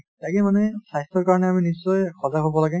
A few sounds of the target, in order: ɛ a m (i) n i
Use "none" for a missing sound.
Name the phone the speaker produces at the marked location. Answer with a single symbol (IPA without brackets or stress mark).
i